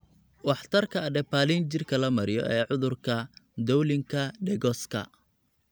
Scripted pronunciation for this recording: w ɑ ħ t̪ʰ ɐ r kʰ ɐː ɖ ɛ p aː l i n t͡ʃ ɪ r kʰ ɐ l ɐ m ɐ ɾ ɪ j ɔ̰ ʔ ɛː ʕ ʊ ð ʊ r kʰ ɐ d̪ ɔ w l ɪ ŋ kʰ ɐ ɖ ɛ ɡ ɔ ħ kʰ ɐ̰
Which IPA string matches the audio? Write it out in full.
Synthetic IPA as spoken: w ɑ ħ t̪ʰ ɐ r kʰ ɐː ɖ ɛ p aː l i n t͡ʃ ɪ r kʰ ɐ l ɐ m ɐ ɾ ɪ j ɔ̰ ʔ ɛː ʕ ʊ ð ʊ r kʰ ɐ d̪ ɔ w l ɪ ŋ kʰ ɐ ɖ ɛ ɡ ɔ s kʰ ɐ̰

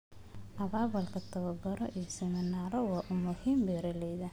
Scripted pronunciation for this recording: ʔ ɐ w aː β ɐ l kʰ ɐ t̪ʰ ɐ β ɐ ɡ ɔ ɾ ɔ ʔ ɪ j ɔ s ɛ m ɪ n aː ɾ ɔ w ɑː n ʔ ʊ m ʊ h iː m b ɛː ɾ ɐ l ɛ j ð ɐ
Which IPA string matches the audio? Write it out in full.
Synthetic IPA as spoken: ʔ ɐ β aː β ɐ l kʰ ɐ t̪ʰ ɐ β ɐ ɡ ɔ ɾ ɔ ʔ i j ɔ s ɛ m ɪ n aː ɾ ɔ w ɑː ʔ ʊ m ʊ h iː m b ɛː ɾ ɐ l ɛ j ð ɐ

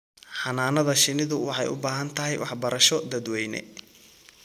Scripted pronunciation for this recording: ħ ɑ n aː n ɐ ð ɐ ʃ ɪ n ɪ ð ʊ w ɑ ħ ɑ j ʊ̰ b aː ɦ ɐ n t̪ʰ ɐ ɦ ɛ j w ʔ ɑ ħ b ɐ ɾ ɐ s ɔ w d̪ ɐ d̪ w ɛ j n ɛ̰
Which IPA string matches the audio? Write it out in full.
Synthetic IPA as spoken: ħ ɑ n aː n ɐ ð ɐ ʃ ɪ n ɪ ð ʊ w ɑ ħ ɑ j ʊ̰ b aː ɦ ɐ n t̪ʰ ɐ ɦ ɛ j w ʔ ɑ ħ b ɐ ɾ ɐ ʃ ɔ d̪ ɐ d̪ w ɛ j n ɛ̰

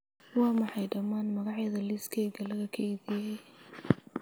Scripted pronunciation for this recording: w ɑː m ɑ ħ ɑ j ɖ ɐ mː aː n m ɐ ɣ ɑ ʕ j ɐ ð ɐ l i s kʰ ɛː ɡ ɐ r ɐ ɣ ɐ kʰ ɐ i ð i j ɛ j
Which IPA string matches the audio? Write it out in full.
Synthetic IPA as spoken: w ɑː m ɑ ħ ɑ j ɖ ɐ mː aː n m ɐ ɣ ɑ ʕ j ɐ ð ɐ l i s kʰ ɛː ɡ ɐ l ɐ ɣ ɐ kʰ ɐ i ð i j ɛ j

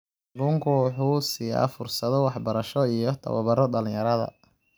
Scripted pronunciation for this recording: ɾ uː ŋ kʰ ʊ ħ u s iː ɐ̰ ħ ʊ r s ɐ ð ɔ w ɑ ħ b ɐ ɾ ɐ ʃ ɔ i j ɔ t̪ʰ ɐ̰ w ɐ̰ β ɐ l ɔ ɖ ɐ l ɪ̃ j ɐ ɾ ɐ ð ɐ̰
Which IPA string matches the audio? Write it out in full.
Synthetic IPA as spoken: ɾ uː ŋ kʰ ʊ ħ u s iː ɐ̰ f ʊ r s ɐ ð ɔ w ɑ ħ b ɐ ɾ ɐ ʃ ɔ i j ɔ t̪ʰ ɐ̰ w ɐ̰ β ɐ ɾ ɔ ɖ ɐ l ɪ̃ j ɐ ɾ ɐ ð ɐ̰

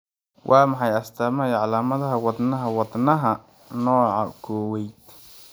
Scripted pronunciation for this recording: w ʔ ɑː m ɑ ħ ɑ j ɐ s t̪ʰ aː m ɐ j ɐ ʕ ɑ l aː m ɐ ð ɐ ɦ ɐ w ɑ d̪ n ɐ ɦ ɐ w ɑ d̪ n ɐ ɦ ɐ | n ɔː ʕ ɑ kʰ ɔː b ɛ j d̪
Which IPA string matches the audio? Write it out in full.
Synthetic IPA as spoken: w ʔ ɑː m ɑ ħ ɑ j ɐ s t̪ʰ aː m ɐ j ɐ ʕ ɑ l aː m ɐ ð ɐ ɦ ɐ w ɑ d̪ n ɐ ɦ ɐ w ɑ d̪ n ɐ ɦ ɐ | n ɔː ʕ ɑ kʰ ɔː w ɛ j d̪

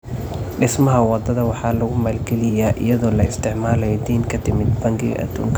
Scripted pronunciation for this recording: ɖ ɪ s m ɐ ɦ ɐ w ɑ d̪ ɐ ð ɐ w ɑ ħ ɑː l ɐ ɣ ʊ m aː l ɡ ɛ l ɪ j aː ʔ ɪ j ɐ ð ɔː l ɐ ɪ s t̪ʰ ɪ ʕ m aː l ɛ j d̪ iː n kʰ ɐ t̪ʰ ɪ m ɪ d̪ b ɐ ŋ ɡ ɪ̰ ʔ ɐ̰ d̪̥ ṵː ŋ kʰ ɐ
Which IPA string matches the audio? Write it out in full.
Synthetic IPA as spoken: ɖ ɪ s m ɐ ɦ ɐ w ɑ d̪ ɐ ð ɐ w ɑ ħ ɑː l ɐ ɣ ʊ m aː l ɡ ɛ l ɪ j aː ʔ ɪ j ɐ ð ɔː l ɐ ɪ s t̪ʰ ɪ ʕ m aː l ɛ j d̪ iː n kʰ ɐ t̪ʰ ɪ m ɪ d̪ b ɐ ŋ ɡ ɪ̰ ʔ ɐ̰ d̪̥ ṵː ŋ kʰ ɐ

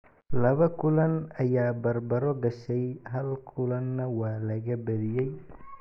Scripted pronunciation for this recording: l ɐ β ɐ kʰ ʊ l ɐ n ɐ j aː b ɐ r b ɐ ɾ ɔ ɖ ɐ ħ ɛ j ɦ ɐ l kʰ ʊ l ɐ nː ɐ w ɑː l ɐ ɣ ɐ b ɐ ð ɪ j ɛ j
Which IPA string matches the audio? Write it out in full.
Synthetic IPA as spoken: l ɐ β ɐ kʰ ʊ l ɐ n ɐ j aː b ɐ r b ɐ ɾ ɔ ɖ ɐ ʃ ɛ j ɦ ɐ l kʰ ʊ l ɐ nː ɐ w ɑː l ɐ ɣ ɐ b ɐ ð ɪ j ɛ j

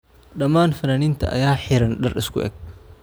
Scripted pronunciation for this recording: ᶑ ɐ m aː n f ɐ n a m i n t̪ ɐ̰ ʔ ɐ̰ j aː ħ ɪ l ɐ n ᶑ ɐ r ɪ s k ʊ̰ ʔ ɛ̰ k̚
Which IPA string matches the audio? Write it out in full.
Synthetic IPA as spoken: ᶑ ɐ m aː n f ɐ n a n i n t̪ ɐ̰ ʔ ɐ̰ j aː ħ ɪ ɾ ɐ n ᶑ ɐ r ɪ s k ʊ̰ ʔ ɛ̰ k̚

